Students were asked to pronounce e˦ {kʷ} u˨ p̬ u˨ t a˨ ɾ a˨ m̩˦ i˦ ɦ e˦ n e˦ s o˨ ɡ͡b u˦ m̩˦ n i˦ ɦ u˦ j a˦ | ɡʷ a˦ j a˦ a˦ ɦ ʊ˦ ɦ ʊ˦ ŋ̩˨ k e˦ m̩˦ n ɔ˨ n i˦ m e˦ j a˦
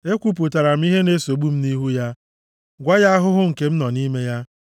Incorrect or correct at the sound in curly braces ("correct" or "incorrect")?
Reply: correct